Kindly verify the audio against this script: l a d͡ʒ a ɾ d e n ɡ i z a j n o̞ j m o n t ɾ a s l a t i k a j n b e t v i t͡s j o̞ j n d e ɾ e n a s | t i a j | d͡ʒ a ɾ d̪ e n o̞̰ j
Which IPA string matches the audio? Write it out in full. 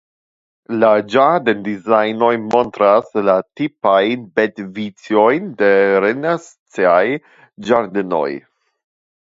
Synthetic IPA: l a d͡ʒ a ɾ d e n d i z a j n o̞ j m o n t ɾ a s l a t i p a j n b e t v i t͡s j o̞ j n d e ɾ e n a s | t͡s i a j | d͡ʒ a ɾ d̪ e n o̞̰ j